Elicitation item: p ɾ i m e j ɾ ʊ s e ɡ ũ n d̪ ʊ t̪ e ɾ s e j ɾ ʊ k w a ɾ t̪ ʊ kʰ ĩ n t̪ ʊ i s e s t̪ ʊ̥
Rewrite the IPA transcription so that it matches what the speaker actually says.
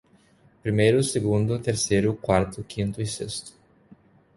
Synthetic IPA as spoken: p ɾ i m e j ɾ ʊ s e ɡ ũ n d̪ ʊ t̪ e ɾ s e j ɾ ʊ k w a ɾ t̪ ʊ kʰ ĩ n t̪ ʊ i s e s t̪ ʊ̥